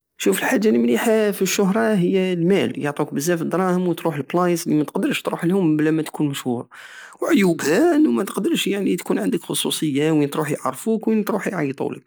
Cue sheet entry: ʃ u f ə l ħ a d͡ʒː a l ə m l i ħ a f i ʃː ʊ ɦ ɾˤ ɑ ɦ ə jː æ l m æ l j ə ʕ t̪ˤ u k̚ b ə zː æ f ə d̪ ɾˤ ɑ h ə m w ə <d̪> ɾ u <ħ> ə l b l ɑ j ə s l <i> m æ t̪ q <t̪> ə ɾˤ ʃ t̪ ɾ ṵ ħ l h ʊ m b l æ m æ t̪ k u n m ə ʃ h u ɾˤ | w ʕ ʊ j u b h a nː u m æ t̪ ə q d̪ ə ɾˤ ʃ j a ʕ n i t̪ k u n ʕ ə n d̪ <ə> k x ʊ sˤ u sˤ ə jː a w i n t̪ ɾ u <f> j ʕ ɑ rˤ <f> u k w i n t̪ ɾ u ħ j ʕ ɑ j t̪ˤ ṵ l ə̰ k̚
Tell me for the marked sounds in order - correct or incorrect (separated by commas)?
incorrect, correct, correct, incorrect, correct, incorrect, correct